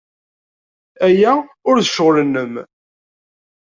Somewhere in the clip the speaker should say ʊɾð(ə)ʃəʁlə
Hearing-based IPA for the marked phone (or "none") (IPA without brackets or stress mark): ə